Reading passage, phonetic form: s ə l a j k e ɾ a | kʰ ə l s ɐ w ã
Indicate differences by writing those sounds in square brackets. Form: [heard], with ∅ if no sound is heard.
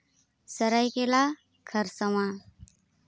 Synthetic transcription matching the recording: s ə [ɾ] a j k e [l] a | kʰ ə [ɾ] s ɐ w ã